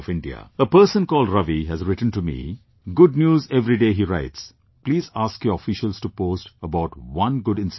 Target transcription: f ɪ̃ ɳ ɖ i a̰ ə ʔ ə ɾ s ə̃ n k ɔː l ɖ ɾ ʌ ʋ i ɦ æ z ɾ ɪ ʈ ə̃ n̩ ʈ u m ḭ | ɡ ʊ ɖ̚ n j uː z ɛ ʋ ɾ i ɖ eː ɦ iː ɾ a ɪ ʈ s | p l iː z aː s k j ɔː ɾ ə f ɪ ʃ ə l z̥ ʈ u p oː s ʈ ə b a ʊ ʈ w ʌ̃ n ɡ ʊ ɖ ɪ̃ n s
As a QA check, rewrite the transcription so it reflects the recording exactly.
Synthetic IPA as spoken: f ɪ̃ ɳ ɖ i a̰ ə p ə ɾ s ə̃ n k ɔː l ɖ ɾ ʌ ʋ i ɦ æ z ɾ ɪ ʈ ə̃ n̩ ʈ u m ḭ | ɡ ʊ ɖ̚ n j uː z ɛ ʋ ɾ i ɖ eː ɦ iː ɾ a ɪ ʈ s | p l iː z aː s k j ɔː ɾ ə f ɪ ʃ ə l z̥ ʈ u p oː s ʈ ə b a ʊ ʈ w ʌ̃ n ɡ ʊ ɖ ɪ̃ n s